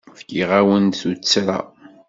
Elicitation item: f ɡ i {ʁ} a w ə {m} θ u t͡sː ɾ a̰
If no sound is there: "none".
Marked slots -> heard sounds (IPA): ʁ, n

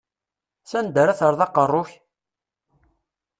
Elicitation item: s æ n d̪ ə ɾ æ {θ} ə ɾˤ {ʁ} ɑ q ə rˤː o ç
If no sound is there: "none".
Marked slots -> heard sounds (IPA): θ, ð

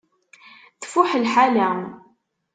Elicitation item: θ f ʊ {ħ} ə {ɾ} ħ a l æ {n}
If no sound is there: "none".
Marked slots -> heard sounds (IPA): ħ, l, m

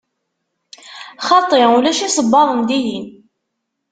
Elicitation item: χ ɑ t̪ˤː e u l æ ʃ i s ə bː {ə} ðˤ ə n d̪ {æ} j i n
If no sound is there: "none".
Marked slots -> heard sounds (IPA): ɑ, i

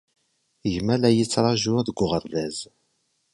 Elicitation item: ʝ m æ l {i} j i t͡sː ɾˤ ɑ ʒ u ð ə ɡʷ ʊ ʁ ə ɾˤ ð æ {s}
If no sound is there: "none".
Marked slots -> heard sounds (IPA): æ, z

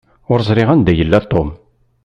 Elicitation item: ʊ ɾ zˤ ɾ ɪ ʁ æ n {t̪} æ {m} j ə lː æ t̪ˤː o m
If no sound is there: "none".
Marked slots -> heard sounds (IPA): d̪, none

